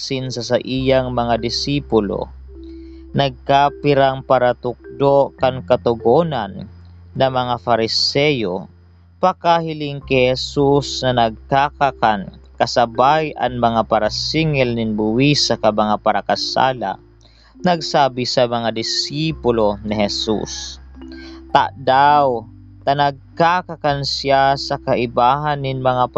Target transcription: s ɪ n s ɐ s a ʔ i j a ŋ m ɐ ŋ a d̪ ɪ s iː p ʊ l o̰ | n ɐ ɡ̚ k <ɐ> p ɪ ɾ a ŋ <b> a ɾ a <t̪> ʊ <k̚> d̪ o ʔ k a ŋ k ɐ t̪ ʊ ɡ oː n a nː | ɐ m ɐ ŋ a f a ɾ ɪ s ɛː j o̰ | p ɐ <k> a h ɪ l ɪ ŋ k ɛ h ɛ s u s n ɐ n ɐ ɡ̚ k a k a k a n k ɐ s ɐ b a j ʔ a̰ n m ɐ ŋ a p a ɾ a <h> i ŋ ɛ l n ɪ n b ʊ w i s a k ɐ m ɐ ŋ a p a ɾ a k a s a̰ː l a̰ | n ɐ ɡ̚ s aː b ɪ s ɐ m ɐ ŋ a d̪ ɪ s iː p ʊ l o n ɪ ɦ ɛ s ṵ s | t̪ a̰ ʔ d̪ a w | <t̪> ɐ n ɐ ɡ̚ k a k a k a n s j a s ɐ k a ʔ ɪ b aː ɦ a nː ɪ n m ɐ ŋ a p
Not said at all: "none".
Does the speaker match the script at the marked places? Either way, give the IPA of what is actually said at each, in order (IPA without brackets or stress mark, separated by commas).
a, p, t̪, k̚, k, s, t̪